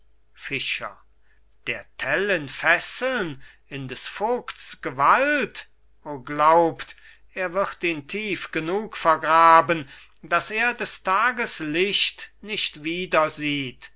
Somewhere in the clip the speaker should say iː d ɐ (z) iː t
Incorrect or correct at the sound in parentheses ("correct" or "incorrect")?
correct